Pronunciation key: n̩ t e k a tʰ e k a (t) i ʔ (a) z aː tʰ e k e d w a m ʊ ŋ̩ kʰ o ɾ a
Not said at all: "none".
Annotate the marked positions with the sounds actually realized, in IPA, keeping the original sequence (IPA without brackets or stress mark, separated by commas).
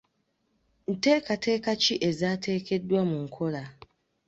t͡ʃ, e